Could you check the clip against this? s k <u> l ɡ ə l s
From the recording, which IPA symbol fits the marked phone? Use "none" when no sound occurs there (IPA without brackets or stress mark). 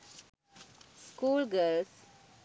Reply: uː